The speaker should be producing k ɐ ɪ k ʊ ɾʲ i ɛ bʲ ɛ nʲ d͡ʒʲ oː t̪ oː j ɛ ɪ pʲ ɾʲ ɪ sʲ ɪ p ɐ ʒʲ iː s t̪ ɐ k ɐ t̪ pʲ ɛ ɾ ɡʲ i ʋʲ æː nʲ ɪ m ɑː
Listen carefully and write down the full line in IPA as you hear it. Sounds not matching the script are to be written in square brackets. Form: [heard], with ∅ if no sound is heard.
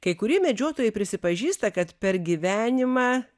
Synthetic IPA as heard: k ɐ ɪ k ʊ ɾʲ i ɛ [mʲ] ɛ [∅] d͡ʒʲ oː t̪ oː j ɛ ɪ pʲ ɾʲ ɪ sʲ ɪ p ɐ ʒʲ iː s t̪ ɐ k ɐ t̪ pʲ ɛ ɾ ɡʲ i ʋʲ æː nʲ ɪ m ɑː